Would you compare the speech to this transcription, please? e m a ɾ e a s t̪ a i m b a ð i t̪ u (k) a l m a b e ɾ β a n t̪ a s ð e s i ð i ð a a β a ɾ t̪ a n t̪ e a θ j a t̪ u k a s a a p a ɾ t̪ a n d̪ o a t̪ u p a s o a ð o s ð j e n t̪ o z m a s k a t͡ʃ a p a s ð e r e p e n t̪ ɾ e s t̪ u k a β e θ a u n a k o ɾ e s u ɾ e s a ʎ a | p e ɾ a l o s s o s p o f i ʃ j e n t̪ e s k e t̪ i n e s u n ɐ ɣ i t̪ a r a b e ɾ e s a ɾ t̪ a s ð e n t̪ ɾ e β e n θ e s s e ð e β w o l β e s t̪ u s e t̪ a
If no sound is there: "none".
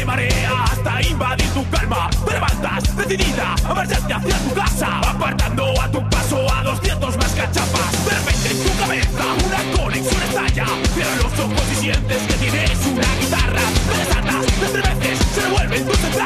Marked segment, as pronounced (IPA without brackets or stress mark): k